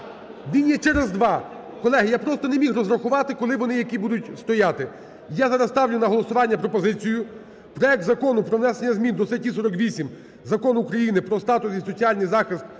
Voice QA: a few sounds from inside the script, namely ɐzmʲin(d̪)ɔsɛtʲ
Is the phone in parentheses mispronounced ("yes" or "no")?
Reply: no